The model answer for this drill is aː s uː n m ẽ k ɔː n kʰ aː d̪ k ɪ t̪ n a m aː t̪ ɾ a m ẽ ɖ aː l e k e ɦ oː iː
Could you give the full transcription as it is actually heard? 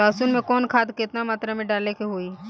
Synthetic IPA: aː s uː n m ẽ k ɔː n kʰ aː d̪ k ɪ t̪ n a m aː t̪ ɾ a m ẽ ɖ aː l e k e ɦ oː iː